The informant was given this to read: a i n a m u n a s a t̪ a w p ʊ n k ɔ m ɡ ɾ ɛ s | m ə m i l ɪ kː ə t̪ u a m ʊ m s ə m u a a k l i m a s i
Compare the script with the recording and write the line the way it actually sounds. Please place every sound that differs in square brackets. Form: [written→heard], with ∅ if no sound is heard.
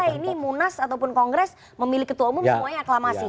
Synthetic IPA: a i n [a→i] m u n a s a t̪ a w p ʊ n k ɔ [m→ŋ] ɡ ɾ ɛ s | m ə m i l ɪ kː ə t̪ u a m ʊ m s ə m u a a k l [i→a] m a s i